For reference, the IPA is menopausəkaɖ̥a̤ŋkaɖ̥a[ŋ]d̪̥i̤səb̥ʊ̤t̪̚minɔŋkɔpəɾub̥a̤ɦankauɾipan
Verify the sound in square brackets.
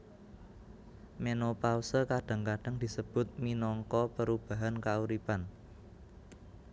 correct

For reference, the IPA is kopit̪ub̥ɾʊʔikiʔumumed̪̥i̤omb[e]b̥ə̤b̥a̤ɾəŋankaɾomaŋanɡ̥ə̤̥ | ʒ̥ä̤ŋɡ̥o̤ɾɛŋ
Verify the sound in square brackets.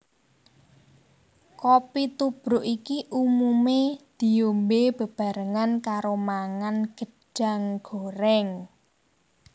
correct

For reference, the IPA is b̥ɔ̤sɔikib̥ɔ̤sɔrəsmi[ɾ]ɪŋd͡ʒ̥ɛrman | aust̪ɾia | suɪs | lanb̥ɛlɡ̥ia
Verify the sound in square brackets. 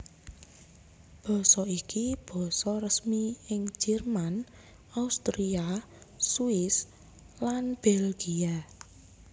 incorrect: none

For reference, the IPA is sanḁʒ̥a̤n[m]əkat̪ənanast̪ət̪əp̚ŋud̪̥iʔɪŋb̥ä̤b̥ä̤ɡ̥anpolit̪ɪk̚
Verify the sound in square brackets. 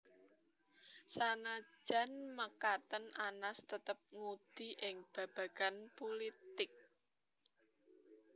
correct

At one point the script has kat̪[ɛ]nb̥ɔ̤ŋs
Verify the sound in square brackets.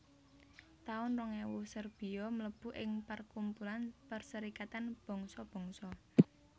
incorrect: a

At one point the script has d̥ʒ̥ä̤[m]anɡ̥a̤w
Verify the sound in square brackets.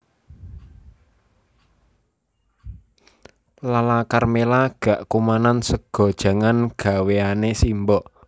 incorrect: ŋ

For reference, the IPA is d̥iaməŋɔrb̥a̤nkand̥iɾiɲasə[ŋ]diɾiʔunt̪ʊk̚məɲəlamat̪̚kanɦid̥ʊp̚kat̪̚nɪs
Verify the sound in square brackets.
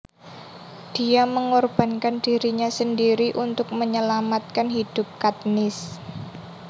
incorrect: n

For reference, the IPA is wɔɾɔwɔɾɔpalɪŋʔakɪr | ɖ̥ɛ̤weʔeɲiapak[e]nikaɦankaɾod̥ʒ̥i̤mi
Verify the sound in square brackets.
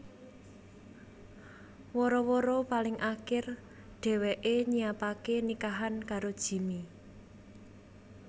correct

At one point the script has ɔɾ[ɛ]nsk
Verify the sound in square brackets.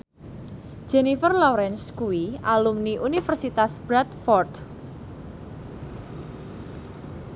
correct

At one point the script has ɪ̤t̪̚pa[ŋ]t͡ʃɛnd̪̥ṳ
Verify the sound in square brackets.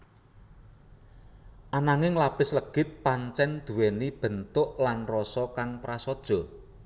incorrect: ɲ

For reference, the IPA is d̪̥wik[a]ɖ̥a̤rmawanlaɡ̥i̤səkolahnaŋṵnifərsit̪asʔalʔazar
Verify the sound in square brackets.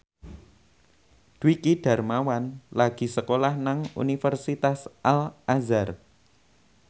incorrect: i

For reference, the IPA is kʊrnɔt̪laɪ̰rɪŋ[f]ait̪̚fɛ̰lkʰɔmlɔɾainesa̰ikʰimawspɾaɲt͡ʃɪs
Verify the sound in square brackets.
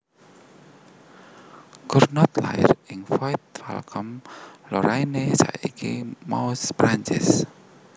correct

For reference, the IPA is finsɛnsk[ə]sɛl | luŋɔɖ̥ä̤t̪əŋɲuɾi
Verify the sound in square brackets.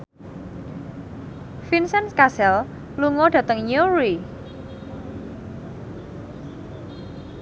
incorrect: a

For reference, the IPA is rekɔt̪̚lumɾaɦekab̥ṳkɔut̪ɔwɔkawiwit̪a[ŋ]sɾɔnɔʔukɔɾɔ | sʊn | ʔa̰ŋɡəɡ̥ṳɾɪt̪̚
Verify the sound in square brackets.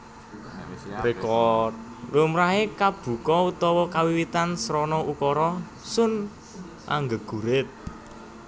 incorrect: n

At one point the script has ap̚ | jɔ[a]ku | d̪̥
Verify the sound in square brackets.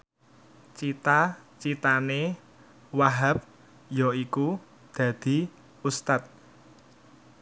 incorrect: i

